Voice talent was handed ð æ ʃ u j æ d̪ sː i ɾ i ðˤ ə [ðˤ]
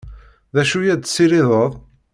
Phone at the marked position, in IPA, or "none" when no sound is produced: ðˤ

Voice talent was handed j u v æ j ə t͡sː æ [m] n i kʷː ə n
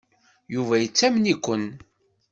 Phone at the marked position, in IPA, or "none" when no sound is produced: m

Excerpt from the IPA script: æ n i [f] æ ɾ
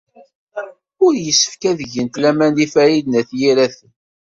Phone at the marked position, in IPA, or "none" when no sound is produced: f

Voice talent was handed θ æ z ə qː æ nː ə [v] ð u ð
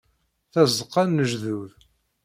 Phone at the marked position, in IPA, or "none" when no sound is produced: ʒ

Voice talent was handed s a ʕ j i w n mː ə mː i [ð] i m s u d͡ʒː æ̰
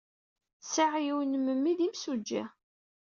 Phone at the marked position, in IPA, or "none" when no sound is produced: ð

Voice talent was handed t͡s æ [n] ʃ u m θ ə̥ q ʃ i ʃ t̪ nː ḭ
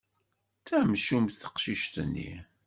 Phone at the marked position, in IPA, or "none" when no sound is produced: m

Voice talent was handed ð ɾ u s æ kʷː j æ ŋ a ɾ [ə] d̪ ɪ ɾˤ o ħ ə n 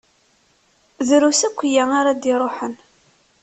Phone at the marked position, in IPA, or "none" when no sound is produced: a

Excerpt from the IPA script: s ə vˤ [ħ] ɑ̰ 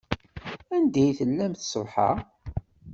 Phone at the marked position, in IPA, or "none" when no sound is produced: ħ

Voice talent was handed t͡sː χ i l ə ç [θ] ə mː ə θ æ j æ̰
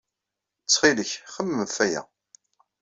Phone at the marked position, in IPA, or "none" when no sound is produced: χ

